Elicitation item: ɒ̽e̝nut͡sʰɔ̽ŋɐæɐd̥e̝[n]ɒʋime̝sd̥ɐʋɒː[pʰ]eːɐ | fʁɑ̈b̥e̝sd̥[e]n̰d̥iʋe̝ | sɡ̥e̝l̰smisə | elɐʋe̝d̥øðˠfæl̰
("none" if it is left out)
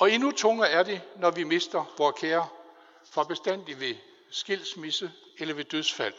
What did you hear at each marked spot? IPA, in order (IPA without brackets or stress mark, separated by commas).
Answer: n, kʰ, æ